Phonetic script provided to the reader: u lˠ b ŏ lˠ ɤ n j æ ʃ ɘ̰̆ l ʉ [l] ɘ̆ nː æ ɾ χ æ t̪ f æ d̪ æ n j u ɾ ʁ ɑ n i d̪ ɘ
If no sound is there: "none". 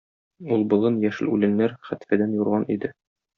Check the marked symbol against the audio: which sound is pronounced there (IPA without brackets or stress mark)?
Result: l